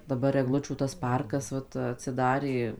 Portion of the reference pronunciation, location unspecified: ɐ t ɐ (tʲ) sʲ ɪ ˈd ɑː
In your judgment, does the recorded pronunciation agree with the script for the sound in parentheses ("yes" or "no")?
yes